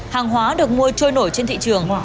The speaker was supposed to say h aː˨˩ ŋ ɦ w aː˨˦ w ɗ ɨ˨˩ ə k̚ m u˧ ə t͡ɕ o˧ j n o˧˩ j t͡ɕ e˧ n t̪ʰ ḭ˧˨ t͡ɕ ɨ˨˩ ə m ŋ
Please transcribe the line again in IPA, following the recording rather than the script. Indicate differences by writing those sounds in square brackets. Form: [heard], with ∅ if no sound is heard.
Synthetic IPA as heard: h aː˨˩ ŋ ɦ w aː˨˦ [∅] ɗ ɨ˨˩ ə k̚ m u˧ ə t͡ɕ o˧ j n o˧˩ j t͡ɕ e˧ n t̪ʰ ḭ˧˨ t͡ɕ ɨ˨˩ ə [∅] ŋ

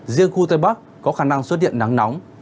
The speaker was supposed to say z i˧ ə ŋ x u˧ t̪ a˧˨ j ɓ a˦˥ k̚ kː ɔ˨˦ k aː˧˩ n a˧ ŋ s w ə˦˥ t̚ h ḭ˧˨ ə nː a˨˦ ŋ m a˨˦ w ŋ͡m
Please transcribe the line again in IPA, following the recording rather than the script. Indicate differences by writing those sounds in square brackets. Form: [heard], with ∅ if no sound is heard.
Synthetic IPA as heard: z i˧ ə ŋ x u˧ t̪ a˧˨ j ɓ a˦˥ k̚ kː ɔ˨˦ [x] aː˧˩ n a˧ ŋ s w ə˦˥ t̚ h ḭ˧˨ ə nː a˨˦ ŋ [n] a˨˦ w ŋ͡m

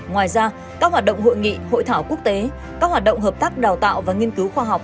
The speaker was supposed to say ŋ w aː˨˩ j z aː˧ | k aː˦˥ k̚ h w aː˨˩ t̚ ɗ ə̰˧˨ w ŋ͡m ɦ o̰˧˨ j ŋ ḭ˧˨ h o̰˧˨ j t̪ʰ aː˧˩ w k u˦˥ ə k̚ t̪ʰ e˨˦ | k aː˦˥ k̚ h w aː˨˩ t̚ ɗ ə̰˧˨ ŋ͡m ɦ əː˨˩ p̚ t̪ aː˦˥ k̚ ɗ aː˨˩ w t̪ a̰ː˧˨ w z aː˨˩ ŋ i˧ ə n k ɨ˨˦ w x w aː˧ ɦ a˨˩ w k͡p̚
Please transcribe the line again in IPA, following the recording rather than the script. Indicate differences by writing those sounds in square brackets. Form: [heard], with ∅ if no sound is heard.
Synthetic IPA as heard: ŋ w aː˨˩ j z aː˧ | k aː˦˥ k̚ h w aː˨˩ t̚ ɗ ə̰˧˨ w ŋ͡m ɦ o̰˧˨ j ŋ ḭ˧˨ h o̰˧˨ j t̪ʰ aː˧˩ w k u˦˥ ə k̚ [t̪] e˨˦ | k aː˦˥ k̚ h w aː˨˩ t̚ ɗ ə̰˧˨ ŋ͡m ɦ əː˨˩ p̚ t̪ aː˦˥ k̚ ɗ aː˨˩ w t̪ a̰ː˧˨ w [v] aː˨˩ ŋ i˧ ə n k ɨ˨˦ w x w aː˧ ɦ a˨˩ w k͡p̚

